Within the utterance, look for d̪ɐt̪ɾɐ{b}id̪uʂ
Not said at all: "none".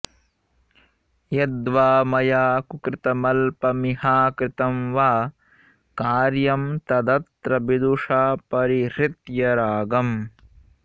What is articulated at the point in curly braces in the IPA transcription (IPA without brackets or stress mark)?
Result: b